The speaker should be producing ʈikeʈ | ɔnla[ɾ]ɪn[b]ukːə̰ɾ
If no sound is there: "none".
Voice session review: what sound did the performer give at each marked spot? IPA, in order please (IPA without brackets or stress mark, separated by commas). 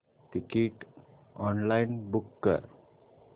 none, b